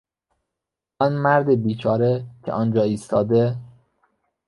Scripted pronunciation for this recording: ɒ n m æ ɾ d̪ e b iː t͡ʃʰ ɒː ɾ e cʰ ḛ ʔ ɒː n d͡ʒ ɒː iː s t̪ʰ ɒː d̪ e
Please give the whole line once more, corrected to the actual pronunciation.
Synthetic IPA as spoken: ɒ n m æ ɾ d̪ e b iː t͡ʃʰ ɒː ɾ e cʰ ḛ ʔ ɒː n d͡ʒ ɒː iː s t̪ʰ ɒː d̪ e